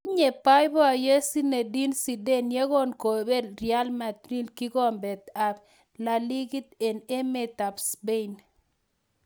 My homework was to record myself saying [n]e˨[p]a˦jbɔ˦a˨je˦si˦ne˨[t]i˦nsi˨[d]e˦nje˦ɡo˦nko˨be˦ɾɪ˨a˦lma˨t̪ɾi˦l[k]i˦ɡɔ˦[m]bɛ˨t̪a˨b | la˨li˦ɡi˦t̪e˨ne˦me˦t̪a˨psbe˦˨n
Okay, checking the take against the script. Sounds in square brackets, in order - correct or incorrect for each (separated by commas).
incorrect, correct, incorrect, correct, correct, correct